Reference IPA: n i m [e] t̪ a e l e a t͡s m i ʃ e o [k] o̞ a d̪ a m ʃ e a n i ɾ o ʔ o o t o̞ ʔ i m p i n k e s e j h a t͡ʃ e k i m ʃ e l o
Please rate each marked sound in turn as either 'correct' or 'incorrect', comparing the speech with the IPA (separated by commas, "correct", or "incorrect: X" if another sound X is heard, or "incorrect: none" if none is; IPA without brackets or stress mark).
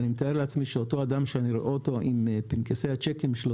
correct, incorrect: t